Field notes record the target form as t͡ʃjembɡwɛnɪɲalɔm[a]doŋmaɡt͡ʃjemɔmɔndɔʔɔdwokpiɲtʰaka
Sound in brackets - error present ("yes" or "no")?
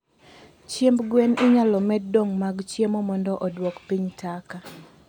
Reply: yes